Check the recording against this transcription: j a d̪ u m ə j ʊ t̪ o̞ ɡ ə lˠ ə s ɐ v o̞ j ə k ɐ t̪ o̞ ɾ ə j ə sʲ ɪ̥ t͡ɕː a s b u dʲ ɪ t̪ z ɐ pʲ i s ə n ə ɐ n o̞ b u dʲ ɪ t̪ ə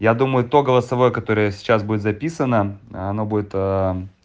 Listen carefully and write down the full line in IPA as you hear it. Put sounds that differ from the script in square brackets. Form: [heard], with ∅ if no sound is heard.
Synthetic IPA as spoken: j a d̪ u m ə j ʊ t̪ o̞ ɡ ə lˠ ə s ɐ v o̞ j ə k ɐ t̪ o̞ ɾ ə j ə sʲ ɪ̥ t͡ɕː a s b u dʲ ɪ t̪ z ɐ pʲ i s ə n ə ɐ n o̞ b u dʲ ɪ t̪ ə